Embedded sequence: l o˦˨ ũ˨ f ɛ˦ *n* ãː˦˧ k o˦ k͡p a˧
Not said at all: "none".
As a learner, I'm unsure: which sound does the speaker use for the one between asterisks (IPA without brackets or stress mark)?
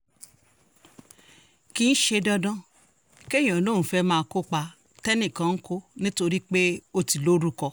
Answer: m